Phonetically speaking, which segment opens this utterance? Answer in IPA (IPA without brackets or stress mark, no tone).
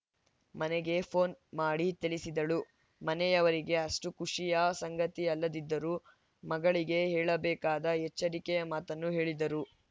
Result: m